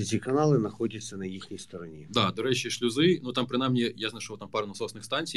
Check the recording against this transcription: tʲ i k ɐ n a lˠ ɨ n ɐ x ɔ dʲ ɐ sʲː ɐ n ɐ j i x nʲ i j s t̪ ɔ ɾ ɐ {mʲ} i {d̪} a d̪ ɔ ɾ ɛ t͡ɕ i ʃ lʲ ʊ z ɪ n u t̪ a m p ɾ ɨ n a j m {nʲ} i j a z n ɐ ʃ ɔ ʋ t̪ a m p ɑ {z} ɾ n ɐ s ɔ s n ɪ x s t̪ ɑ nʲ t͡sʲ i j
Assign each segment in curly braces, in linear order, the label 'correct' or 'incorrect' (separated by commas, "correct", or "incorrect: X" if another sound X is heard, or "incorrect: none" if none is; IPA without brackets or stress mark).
incorrect: nʲ, correct, correct, incorrect: none